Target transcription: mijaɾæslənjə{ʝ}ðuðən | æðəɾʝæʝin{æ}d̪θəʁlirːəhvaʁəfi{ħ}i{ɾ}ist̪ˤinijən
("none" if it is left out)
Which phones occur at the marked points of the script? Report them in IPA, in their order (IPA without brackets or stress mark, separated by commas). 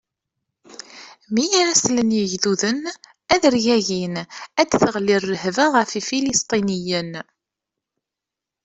ʝ, æ, f, l